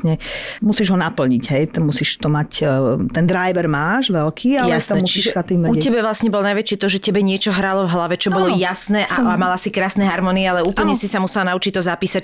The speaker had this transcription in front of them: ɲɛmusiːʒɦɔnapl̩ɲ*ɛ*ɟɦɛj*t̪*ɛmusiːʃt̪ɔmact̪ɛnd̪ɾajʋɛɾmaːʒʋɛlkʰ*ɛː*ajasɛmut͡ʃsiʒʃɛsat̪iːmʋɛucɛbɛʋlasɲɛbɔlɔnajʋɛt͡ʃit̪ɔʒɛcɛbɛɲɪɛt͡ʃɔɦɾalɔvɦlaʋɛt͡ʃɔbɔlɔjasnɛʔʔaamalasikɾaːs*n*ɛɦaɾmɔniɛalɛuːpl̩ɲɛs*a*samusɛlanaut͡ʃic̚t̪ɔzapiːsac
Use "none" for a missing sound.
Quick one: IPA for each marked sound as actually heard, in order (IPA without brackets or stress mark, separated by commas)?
i, t̪, iː, n, i